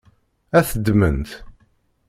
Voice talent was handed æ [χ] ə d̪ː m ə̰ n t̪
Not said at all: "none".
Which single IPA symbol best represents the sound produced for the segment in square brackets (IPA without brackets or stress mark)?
θ